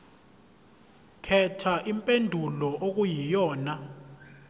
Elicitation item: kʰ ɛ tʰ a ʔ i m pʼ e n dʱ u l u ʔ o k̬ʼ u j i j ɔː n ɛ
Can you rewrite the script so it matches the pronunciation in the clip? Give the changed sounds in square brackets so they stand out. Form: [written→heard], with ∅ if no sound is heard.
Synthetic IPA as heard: kʰ ɛ tʰ a ʔ i m pʼ e n dʱ u l [u→ɔ] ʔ o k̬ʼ u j i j ɔː n [ɛ→a]